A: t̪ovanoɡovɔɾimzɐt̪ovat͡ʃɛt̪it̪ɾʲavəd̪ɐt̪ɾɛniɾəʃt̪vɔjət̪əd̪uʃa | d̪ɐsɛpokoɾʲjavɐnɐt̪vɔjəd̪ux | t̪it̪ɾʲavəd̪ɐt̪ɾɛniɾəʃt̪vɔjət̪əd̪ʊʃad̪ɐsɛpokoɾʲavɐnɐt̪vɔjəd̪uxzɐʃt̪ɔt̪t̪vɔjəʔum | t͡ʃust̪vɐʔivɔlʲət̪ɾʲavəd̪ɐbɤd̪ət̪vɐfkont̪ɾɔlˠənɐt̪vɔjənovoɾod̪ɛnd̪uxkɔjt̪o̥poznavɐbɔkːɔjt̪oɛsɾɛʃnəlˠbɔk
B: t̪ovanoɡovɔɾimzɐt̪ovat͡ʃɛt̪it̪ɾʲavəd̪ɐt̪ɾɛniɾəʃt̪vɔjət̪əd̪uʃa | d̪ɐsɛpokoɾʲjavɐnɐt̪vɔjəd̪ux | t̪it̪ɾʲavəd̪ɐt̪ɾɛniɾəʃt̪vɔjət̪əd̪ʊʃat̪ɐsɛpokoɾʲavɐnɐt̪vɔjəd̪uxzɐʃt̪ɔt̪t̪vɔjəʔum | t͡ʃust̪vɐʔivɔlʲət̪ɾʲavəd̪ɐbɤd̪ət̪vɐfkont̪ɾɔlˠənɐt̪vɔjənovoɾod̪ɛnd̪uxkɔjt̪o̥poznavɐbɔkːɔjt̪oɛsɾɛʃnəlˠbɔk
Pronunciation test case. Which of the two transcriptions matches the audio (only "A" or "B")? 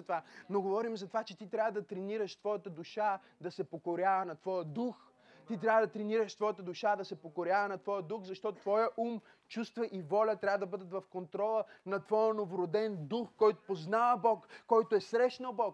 A